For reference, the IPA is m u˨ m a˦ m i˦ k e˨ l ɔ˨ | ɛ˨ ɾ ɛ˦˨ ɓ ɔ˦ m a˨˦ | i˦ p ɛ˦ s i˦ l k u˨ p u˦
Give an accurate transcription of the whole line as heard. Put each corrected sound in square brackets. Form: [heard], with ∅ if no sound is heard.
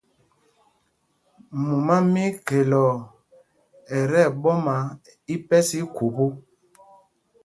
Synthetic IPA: m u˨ m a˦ m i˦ k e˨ l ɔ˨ | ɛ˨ ɾ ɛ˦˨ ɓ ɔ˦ m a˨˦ | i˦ p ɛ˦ s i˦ [∅] k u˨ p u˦

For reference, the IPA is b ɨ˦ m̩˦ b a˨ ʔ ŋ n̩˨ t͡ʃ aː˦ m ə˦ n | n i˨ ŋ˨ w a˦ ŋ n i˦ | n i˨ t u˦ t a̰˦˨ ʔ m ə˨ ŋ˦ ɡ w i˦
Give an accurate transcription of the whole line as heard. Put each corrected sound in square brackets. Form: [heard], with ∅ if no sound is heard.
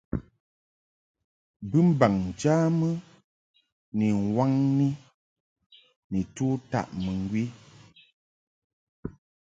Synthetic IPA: b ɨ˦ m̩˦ b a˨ [∅] ŋ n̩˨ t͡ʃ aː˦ m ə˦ [∅] | n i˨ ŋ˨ w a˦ ŋ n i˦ | n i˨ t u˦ t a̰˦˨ ʔ m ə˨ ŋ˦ ɡ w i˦

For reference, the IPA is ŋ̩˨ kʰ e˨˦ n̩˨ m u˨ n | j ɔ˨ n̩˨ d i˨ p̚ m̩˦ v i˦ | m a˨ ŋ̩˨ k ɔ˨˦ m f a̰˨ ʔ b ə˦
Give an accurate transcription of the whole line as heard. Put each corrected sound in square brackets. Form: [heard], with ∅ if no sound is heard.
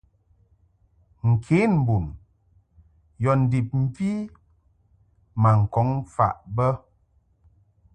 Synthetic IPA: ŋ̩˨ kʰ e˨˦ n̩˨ [b] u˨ n | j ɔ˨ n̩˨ d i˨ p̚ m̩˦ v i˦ | m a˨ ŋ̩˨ k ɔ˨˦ [ŋ] f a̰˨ ʔ b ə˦

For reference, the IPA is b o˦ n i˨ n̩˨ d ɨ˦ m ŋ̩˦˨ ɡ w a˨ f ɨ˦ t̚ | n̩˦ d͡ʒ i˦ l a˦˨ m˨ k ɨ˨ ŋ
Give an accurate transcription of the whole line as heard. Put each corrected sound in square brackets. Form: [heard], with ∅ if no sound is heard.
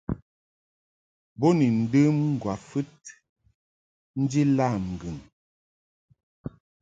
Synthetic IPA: b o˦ n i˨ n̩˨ d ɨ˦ m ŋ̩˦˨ ɡ w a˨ f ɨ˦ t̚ | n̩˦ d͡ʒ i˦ l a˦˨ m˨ [ɡ] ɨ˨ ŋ

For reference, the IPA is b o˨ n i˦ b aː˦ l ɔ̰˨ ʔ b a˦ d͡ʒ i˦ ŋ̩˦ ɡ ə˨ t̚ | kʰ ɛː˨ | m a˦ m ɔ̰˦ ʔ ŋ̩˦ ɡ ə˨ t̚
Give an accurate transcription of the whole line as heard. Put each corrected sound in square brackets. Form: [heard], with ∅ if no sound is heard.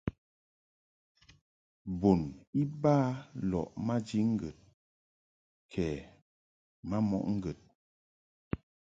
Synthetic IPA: b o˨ n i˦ b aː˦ l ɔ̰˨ ʔ [m] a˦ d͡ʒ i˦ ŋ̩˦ ɡ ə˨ t̚ | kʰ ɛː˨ | m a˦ m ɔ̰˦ ʔ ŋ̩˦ ɡ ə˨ t̚

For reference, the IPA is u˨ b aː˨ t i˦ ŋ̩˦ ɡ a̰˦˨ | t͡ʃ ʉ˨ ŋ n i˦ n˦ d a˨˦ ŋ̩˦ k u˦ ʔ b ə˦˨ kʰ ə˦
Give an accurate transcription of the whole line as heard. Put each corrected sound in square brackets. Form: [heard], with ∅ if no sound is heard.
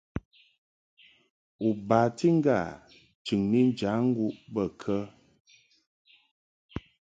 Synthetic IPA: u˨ b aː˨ t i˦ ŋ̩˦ ɡ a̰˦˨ | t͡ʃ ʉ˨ ŋ n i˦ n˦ [d͡ʒ] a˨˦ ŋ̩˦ [ɡ] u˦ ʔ b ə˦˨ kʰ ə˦

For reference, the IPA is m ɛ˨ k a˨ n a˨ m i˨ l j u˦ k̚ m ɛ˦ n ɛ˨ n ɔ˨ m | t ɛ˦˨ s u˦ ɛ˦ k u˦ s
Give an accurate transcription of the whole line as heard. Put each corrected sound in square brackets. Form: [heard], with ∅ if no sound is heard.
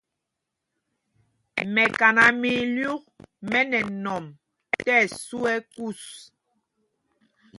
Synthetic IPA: m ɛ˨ k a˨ n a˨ m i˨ l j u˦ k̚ m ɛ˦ n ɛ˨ n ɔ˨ m | t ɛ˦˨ s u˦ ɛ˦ k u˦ s

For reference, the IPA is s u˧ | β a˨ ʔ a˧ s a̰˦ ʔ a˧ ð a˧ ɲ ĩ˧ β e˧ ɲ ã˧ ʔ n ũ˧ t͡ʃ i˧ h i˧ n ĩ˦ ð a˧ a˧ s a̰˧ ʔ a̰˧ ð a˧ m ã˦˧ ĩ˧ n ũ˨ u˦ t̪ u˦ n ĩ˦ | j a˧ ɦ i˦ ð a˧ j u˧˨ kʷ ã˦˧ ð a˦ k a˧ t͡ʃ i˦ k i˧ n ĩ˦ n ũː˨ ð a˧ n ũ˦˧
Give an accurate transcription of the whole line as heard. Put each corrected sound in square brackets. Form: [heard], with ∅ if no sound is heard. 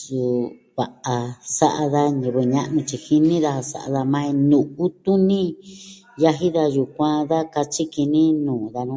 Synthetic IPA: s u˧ | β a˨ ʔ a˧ s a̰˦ ʔ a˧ ð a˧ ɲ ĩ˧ β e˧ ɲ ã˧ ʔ n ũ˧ t͡ʃ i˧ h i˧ n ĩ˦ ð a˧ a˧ s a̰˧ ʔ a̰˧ ð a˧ m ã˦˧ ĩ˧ n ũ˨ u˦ t̪ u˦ n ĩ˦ | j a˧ ɦ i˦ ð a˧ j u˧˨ kʷ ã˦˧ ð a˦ k a˧ t͡ʃ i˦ k i˧ n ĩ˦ n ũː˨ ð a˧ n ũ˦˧

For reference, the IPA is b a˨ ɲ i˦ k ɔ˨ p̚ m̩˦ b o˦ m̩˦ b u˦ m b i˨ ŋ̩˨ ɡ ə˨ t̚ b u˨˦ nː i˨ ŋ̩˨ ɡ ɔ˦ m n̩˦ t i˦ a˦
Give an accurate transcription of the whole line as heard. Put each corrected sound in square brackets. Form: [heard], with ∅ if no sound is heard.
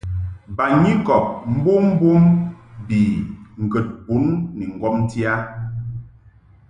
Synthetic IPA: b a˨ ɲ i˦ k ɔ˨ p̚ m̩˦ b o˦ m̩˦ b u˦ m b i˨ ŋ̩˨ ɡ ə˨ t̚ b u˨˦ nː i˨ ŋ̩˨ ɡ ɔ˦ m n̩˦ t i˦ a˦

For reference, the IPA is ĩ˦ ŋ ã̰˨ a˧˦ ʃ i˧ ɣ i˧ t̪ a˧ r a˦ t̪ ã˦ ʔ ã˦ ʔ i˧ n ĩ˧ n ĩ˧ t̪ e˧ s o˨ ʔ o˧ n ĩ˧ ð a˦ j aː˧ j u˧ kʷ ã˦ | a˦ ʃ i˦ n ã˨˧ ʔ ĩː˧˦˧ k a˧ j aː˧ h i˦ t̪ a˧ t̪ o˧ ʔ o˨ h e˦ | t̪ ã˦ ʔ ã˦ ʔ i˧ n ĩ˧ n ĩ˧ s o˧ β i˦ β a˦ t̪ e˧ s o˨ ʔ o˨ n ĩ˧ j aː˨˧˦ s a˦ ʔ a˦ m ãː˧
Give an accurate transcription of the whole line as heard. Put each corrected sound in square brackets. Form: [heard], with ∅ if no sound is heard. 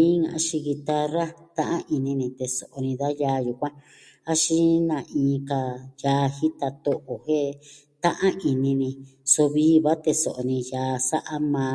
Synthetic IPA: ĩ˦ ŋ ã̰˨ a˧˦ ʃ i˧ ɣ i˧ t̪ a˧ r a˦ t̪ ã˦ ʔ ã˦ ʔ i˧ n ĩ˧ n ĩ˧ t̪ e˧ s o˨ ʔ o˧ n ĩ˧ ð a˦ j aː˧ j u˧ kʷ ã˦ | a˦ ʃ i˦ n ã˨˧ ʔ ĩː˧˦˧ k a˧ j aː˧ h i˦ t̪ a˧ t̪ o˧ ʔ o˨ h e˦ | t̪ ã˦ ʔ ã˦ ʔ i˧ n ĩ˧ n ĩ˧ s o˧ β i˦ β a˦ t̪ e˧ s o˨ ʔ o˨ n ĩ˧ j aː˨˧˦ s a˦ ʔ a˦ m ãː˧

